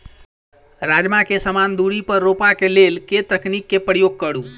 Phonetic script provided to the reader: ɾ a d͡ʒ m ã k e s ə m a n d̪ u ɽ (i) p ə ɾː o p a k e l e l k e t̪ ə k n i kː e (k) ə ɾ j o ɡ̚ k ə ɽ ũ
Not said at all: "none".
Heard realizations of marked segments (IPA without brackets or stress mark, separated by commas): i, p